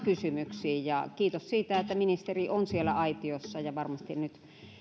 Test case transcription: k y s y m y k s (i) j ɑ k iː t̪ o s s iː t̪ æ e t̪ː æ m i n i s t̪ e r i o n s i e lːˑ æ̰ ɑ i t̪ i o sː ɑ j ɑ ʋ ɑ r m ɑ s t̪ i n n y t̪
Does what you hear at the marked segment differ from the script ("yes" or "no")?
yes